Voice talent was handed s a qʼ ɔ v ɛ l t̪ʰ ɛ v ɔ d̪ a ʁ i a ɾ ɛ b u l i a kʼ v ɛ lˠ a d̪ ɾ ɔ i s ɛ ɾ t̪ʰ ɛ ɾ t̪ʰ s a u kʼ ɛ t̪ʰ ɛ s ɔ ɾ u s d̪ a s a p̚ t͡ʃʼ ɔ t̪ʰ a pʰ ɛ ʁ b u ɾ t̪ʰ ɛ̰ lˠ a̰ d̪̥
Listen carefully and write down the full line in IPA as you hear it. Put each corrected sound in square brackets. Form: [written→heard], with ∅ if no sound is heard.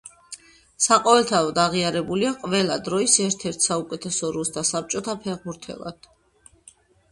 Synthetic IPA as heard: s a qʼ ɔ v ɛ l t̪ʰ [ɛ→a] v ɔ d̪ a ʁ i a ɾ ɛ b u l i a [kʼ→qʼ] v ɛ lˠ a d̪ ɾ ɔ i s ɛ ɾ t̪ʰ ɛ ɾ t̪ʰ s a u kʼ ɛ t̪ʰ ɛ s ɔ ɾ u s d̪ a s a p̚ t͡ʃʼ ɔ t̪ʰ a pʰ ɛ ʁ b u ɾ t̪ʰ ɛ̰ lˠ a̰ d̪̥